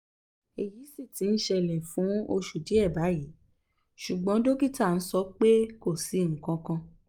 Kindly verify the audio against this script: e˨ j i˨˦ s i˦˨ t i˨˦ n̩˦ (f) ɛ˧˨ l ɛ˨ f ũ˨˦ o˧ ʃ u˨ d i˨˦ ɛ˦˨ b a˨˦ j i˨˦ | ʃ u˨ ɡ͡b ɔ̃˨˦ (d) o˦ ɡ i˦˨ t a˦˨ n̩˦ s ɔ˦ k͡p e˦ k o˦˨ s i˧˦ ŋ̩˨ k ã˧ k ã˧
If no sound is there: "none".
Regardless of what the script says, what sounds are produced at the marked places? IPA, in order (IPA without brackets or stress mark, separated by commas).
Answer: ʃ, d